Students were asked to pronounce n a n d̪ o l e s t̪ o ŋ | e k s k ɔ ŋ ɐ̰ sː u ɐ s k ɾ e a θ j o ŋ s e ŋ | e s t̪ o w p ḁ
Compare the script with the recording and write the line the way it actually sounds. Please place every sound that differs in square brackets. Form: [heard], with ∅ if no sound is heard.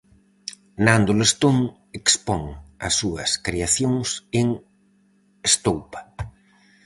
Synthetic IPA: n a n d̪ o l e s t̪ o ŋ | e k s [p] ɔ ŋ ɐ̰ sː u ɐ s k ɾ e a θ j o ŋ s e ŋ | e s t̪ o w p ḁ